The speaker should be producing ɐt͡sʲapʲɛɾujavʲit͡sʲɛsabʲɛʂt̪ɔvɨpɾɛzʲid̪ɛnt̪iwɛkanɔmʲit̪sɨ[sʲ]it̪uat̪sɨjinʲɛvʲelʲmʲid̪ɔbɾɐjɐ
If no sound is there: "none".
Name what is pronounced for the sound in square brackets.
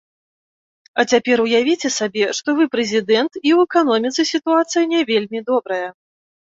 sʲ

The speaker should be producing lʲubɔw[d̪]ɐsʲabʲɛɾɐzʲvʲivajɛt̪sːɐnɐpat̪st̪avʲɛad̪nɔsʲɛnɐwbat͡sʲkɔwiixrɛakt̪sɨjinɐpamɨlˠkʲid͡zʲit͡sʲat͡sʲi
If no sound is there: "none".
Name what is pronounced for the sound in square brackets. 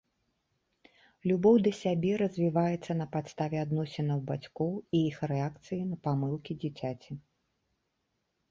d̪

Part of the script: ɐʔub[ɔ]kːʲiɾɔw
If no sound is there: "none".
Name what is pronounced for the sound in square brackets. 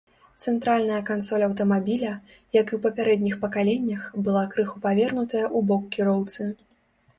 ɔ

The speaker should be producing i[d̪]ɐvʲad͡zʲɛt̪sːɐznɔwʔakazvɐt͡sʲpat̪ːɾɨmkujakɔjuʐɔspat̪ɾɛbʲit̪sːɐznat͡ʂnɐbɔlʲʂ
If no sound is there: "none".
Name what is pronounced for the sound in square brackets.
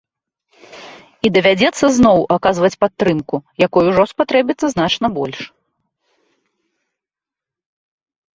d̪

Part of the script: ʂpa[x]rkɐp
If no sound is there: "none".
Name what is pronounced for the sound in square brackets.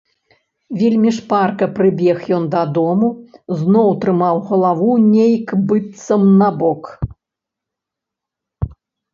none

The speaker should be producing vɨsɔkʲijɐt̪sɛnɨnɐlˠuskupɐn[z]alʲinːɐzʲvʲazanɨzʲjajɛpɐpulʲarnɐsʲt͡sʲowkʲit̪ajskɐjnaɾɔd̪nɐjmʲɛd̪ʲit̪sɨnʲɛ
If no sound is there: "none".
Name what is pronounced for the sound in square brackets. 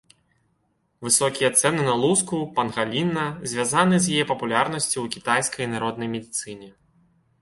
ɣ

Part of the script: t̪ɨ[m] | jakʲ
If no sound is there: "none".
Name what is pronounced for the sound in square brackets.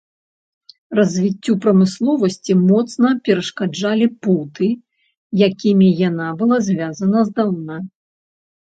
none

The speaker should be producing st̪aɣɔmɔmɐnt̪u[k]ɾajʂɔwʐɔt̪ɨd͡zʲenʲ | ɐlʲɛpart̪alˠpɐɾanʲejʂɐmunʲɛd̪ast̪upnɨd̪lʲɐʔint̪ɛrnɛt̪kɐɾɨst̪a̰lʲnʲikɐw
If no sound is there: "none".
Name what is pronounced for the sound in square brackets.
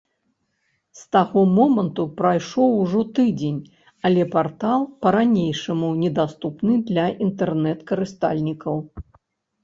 p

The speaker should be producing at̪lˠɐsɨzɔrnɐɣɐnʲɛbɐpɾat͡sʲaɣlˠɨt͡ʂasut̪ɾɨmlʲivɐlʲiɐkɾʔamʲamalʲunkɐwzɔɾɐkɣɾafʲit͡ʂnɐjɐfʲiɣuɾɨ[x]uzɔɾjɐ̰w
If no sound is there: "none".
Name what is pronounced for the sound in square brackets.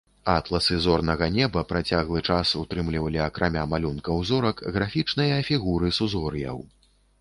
s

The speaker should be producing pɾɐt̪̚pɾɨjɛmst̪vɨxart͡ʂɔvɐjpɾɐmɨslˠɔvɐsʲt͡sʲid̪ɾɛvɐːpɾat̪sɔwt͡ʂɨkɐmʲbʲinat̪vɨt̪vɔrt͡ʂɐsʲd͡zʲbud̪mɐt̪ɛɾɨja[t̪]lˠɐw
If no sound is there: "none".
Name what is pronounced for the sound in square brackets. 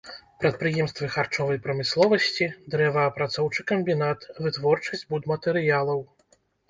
none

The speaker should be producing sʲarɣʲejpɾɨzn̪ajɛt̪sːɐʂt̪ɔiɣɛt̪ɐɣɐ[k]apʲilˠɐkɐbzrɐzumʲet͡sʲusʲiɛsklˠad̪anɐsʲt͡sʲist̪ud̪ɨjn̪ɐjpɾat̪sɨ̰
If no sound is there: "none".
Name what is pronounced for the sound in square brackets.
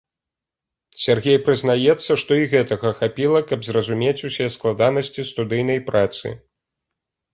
x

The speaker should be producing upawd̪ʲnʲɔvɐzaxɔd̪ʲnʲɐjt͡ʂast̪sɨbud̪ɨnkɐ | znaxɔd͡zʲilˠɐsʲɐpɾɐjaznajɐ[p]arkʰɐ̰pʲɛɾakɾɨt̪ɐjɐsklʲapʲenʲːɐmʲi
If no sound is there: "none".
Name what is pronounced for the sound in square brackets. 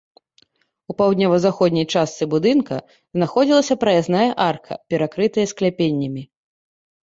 ʔ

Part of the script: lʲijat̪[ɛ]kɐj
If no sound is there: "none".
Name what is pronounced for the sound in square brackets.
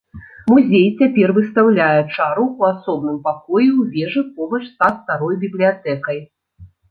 ɛ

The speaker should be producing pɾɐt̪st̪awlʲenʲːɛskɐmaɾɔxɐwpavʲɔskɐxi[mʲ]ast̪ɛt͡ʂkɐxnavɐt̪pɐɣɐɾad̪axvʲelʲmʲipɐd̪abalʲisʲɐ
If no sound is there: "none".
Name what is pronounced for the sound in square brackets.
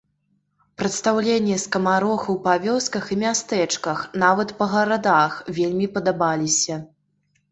mʲ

